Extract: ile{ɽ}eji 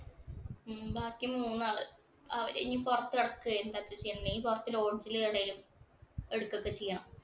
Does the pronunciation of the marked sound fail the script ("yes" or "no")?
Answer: no